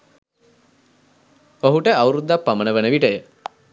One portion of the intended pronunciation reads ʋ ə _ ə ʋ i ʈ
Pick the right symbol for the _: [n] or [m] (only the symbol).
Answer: n